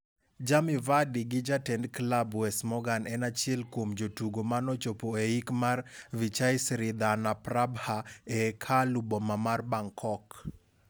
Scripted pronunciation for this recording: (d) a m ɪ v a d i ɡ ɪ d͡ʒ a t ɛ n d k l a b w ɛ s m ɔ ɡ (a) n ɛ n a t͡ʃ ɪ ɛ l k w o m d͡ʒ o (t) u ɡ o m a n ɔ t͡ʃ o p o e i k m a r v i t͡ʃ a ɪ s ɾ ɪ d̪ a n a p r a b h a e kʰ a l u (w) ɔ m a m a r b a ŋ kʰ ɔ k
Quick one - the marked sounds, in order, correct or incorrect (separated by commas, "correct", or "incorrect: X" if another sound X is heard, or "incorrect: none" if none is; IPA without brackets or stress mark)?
incorrect: d͡ʒ, correct, correct, incorrect: b